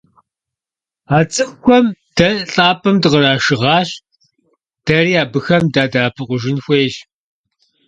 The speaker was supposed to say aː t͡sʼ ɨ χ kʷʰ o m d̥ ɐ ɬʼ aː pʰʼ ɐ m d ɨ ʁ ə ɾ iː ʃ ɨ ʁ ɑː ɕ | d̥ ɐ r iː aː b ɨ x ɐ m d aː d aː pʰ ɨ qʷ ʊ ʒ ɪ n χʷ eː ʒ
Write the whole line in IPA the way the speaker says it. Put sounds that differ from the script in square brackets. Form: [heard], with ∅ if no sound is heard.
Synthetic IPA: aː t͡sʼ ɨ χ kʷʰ [ɔ] m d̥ ɐ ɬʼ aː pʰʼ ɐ m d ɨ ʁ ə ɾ [aː] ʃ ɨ ʁ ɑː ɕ | d̥ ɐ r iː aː b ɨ x ɐ m d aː d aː pʰ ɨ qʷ ʊ ʒ ɪ n [xʷ] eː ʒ